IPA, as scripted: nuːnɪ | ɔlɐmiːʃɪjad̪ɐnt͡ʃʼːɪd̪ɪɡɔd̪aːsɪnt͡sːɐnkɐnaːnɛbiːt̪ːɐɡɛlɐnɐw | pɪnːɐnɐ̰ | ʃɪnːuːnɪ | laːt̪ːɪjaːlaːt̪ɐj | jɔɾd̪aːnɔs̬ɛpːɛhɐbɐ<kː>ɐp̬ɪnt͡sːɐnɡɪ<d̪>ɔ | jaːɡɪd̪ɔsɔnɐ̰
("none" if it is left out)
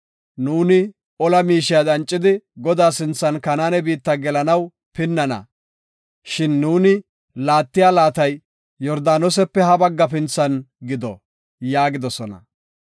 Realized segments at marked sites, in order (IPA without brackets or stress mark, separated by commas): ɡː, d̪